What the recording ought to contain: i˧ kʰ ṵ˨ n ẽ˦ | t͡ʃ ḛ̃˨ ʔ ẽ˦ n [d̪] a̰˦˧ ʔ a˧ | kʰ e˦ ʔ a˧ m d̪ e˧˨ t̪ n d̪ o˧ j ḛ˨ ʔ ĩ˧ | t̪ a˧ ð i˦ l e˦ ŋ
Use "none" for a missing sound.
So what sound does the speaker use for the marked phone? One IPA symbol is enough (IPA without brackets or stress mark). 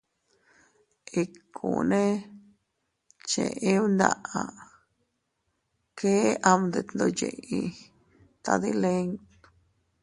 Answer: d̪